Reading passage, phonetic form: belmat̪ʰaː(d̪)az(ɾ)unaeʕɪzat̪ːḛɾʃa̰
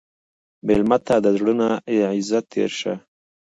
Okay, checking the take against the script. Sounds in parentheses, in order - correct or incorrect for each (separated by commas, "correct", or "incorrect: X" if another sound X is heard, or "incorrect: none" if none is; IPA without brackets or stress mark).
correct, incorrect: ɽ